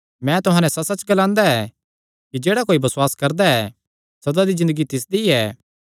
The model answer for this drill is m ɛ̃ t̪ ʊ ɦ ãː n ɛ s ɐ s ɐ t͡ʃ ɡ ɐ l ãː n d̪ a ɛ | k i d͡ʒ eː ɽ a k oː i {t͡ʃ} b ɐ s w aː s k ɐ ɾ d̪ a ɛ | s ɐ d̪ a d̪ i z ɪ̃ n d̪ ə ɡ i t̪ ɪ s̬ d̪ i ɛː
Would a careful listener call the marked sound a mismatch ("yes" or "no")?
yes